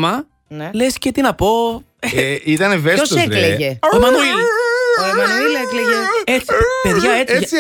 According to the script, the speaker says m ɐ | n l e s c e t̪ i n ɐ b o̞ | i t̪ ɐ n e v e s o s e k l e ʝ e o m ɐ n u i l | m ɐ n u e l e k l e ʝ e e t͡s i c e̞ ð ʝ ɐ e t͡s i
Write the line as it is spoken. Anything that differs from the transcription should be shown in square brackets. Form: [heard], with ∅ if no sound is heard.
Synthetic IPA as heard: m ɐ | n l e s c e t̪ i n ɐ [p] o̞ | i t̪ ɐ n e v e s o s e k l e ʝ e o m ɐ n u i l | m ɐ n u [i] l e k l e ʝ e e t͡s i [p] e̞ ð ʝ ɐ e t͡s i